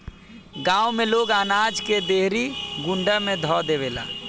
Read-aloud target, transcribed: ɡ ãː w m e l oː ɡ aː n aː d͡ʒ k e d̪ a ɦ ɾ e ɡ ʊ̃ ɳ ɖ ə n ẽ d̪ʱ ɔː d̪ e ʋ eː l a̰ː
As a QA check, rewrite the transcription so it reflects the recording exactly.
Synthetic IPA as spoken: ɡ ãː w m e l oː ɡ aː n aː d͡ʒ k e d̪ e ɦ ɾ i ɡ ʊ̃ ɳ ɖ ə m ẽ d̪ʱ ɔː d̪ e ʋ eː l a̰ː